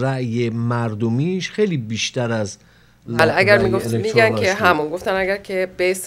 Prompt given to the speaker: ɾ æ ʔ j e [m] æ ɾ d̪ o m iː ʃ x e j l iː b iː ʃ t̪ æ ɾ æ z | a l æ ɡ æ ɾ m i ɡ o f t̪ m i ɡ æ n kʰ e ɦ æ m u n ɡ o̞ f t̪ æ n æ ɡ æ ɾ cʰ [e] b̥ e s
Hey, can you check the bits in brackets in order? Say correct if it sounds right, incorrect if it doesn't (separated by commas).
correct, correct